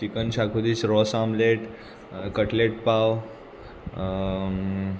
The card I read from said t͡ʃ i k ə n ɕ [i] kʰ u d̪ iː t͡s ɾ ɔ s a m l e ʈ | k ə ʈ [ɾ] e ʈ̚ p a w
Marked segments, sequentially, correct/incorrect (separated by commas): incorrect, incorrect